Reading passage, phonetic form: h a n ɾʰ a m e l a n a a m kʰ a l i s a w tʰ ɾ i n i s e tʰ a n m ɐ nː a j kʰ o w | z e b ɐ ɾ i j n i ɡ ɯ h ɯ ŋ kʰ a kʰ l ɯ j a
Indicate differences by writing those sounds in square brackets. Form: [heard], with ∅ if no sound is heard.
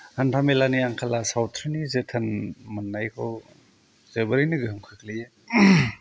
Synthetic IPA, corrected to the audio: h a n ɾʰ a m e l a n [i] a [ŋ] kʰ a l [a] s a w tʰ ɾ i n i [z] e tʰ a n m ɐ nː a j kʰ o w | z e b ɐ ɾ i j n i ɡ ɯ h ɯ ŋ kʰ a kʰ l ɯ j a